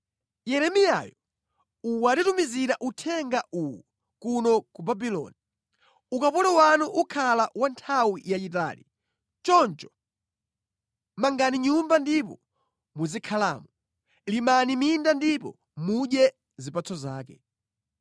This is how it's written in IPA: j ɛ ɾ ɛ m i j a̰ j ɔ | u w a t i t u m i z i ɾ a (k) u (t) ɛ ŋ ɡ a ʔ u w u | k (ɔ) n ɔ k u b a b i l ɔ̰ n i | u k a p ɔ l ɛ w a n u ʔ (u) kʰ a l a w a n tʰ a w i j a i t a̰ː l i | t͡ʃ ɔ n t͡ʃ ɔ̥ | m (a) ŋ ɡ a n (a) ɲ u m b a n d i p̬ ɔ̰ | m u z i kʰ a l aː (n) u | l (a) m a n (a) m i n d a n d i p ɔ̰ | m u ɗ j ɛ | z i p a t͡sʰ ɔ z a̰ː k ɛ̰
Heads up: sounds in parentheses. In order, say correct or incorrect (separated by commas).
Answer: incorrect, incorrect, incorrect, correct, correct, incorrect, incorrect, incorrect, incorrect